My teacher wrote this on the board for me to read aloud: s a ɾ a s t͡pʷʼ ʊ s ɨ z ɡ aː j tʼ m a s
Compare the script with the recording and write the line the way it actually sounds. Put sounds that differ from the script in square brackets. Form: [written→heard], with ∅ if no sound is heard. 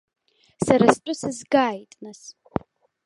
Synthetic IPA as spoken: s a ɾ a s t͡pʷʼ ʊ s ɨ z ɡ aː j tʼ [m→n] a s